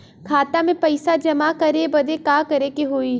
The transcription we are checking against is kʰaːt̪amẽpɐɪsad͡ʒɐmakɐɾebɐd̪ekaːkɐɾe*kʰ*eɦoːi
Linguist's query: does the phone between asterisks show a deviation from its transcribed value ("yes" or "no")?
yes